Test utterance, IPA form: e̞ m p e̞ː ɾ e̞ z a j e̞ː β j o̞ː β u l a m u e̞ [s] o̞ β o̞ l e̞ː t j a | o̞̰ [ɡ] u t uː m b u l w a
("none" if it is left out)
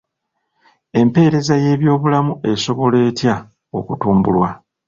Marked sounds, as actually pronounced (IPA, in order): s, k

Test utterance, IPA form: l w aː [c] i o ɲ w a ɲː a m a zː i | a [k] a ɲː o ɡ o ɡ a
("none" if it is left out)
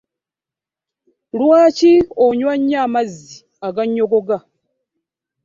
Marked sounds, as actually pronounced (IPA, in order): c, ɡ

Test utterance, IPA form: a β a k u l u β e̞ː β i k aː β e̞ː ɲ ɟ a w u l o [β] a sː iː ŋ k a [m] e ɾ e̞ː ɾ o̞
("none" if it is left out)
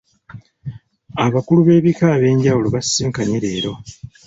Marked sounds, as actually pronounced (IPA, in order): β, ɲ

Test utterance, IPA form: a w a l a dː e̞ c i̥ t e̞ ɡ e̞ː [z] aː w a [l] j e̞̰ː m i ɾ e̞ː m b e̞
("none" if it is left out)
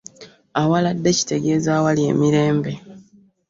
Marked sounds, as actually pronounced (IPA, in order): z, l

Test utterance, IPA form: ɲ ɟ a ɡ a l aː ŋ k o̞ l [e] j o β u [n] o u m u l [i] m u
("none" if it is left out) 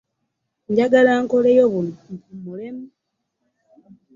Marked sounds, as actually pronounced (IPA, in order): e, n, e

